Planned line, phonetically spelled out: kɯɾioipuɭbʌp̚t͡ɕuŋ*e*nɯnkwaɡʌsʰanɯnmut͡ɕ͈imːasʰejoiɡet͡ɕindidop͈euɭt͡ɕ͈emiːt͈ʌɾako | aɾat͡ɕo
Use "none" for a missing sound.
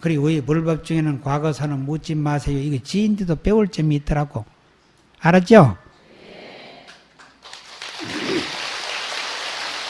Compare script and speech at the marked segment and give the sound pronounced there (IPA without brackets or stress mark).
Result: e